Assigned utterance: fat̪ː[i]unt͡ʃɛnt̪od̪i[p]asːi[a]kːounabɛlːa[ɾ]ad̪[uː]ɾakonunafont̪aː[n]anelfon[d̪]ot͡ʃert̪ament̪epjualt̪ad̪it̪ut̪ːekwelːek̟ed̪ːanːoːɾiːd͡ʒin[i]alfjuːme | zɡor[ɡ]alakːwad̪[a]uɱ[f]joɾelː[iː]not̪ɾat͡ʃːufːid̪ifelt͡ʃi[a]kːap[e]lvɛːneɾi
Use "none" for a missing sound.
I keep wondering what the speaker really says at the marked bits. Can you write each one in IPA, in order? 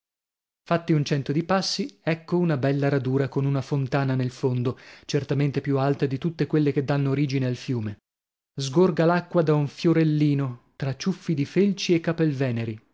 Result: i, p, ɛ, ɾ, uː, n, d̪, e, ɡ, a, f, iː, e, e

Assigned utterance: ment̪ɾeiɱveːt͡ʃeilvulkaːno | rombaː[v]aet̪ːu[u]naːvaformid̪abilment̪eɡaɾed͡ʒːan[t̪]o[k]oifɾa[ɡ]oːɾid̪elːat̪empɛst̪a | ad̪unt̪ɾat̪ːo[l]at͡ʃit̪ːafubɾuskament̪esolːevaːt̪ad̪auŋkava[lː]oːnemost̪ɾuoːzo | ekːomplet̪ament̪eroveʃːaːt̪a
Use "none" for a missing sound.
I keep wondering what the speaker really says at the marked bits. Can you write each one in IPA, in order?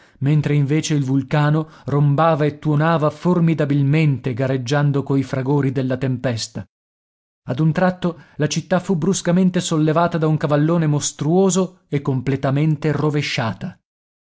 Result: v, o, d̪, k, ɡ, l, lː

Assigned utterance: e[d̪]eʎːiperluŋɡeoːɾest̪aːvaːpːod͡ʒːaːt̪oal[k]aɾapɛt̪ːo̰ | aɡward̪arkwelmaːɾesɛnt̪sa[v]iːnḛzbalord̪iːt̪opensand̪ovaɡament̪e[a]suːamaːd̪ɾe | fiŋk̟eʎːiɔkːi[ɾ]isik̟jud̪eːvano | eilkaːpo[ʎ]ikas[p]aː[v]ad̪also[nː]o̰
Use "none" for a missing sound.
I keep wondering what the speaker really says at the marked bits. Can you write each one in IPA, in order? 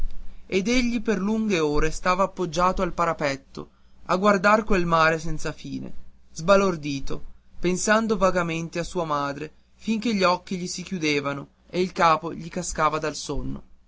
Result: d̪, p, f, a, ʎ, ʎ, k, v, nː

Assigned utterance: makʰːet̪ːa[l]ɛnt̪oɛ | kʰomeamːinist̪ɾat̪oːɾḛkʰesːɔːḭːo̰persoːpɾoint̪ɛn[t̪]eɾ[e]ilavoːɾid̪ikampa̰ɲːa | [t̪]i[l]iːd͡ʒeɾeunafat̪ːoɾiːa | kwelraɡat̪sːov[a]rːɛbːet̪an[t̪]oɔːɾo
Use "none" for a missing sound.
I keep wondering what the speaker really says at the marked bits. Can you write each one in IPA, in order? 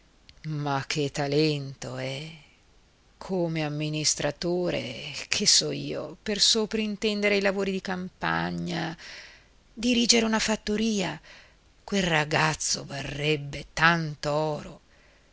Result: l, d̪, e, d̪, ɾ, a, t̪

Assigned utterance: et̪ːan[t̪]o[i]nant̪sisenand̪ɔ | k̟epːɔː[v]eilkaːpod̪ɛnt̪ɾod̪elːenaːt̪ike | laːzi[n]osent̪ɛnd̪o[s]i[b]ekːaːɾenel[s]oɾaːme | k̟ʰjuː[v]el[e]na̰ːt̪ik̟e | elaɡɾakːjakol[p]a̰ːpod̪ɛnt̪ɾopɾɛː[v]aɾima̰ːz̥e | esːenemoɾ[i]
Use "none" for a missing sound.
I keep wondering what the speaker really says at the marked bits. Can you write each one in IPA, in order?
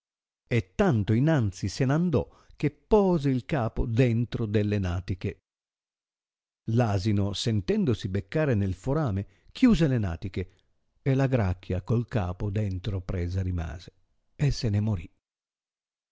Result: t̪, i, z, n, s, b, f, z, e, k, z, i

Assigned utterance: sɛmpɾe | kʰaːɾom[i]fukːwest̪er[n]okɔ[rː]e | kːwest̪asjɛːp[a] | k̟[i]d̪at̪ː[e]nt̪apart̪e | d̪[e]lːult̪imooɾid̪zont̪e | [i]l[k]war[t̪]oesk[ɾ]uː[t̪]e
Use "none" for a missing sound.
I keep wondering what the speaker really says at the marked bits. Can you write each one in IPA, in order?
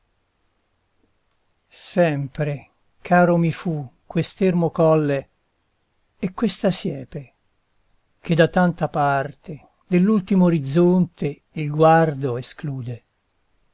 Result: i, m, lː, e, e, a, e, i, ɡ, d̪, l, d̪

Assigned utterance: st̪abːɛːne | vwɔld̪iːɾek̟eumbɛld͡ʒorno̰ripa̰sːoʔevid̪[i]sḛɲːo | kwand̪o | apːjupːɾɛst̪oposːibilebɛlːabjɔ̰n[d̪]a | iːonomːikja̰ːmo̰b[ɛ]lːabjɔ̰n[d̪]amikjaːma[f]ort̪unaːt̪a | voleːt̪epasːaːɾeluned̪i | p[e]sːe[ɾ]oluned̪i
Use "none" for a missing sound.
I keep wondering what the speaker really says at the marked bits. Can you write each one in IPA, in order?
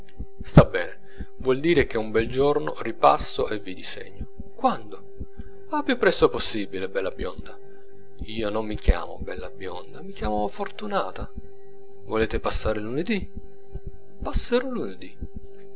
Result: i, d̪, ɛ, d̪, f, a, ɾ

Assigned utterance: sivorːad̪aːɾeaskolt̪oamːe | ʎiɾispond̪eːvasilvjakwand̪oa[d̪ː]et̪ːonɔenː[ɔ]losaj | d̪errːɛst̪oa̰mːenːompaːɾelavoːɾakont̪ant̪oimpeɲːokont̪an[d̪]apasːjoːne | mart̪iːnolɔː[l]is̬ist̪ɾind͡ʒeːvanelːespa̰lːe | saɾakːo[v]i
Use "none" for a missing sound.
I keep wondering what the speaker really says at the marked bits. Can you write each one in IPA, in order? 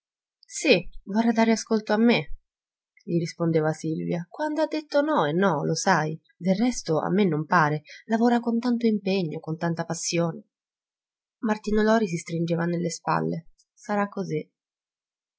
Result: d̪ː, ɔ, t̪, ɾ, z

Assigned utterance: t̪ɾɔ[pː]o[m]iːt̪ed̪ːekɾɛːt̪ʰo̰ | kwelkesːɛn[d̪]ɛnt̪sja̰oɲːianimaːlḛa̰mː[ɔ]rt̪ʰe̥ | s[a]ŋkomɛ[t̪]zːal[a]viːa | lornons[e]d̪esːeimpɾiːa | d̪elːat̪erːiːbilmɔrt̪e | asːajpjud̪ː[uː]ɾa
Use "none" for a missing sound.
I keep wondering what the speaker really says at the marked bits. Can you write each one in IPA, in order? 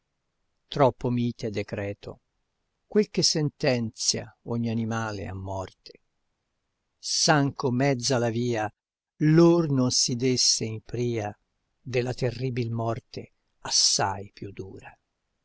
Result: pː, m, t̪, ɔ, a, d̪, a, i, uː

